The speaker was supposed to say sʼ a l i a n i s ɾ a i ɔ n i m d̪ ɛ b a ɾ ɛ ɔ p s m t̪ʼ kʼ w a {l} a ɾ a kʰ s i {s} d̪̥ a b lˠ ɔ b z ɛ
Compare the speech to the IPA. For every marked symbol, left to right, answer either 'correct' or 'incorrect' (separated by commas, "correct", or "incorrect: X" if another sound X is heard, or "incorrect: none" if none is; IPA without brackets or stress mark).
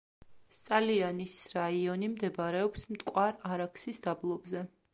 incorrect: ɾ, correct